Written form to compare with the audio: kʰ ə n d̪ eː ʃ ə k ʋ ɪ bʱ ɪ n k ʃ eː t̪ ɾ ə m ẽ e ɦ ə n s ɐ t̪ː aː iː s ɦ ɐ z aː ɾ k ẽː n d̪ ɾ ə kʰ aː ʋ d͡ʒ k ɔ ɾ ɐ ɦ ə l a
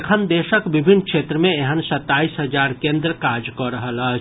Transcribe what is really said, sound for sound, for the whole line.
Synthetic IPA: kʰ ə n d̪ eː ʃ ə k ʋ ɪ bʱ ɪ n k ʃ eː t̪ ɾ ə m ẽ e ɦ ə n s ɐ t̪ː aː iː s ɦ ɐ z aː ɾ k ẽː n d̪ ɾ ə k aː d͡ʒ k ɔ ɾ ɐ ɦ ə l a